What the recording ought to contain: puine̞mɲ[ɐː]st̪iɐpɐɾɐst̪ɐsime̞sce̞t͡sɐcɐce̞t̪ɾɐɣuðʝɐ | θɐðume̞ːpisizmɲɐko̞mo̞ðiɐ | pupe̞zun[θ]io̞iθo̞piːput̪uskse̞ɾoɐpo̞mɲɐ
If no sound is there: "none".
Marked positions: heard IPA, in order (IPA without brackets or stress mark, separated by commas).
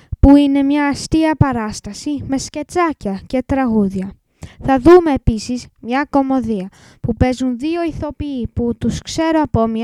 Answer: ɐː, ð